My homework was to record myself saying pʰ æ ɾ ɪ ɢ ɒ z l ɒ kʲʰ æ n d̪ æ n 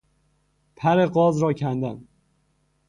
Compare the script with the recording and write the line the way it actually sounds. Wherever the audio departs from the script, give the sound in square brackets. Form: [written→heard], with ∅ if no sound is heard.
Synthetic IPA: pʰ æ ɾ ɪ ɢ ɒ z [l→ɾ] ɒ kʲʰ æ n d̪ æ n